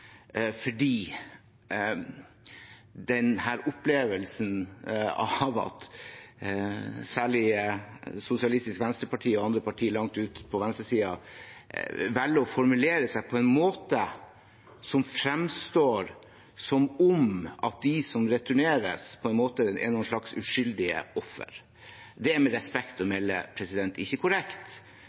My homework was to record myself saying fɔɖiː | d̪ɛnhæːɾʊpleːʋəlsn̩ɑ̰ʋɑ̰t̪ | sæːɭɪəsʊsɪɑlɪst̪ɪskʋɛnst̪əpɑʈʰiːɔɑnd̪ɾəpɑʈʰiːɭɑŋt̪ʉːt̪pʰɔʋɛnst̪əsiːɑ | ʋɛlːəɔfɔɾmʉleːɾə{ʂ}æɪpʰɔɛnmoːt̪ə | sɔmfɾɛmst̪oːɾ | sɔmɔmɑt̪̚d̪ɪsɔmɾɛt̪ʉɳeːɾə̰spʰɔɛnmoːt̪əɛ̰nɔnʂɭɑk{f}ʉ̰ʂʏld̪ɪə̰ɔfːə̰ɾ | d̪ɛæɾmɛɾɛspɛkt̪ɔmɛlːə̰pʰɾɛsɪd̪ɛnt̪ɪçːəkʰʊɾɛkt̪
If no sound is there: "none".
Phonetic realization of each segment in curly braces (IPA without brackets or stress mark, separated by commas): s, s